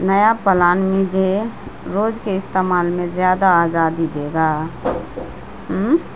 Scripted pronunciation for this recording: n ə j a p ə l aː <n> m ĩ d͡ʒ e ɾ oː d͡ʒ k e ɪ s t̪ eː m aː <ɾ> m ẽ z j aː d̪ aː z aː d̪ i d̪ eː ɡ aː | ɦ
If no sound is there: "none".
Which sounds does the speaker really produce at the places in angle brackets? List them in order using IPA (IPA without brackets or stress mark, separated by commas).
n, l